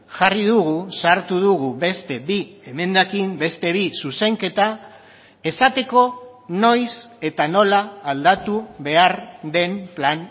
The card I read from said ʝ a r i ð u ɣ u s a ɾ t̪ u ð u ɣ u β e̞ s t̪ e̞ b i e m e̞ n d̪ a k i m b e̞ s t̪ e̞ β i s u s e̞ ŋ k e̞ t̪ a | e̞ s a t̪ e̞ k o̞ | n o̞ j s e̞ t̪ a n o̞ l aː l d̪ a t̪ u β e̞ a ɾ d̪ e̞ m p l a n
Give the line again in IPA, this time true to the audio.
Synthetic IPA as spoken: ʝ a r i ð u ɣ u s a ɾ t̪ u ð u ɣ u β e̞ s t̪ e̞ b i e m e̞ n d̪ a k i m b e̞ s t̪ e̞ β i s u s e̞ ŋ k e̞ t̪ a | e̞ s a t̪ e̞ k o̞ | n o̞ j s e̞ t̪ a n o̞ l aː l d̪ a t̪ u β e̞ a ɾ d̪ e̞ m p l a n